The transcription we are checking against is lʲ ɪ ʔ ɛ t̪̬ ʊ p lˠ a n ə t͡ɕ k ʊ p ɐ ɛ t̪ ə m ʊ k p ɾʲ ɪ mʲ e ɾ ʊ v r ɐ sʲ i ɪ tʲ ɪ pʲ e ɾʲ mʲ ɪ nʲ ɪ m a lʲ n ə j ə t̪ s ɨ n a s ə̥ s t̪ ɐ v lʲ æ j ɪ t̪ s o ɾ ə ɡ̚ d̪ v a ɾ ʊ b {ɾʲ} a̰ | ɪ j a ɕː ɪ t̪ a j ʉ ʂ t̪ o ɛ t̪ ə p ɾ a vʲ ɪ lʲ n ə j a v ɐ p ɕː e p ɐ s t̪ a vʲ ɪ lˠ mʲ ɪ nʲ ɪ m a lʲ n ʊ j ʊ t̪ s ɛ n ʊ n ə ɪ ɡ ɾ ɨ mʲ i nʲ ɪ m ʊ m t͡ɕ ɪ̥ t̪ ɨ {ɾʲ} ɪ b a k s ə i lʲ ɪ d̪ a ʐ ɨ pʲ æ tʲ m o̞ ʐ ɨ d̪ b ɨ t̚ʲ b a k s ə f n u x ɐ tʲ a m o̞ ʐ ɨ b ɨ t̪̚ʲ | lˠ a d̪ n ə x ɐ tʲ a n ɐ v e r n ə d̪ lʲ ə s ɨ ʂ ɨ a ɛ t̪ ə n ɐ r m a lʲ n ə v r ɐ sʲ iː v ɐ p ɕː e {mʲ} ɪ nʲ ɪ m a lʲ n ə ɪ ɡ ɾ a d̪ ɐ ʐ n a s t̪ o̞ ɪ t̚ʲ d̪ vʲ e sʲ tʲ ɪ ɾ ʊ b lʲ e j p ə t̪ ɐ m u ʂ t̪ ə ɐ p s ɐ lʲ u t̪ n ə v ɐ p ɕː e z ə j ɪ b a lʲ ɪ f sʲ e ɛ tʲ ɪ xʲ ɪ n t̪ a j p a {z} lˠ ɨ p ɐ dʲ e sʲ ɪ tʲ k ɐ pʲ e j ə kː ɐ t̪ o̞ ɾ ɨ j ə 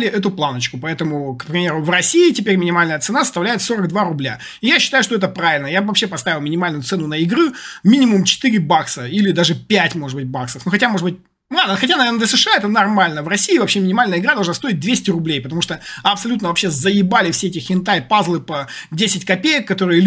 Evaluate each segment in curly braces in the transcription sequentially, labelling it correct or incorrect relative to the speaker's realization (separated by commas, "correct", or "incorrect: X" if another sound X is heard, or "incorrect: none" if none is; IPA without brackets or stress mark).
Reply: incorrect: lʲ, correct, correct, correct